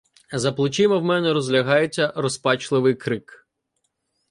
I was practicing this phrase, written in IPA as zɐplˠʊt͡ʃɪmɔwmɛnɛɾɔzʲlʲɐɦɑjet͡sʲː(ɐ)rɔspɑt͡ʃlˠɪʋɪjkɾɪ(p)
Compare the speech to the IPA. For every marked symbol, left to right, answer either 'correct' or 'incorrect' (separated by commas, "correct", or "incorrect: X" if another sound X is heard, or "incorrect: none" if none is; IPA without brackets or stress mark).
correct, incorrect: k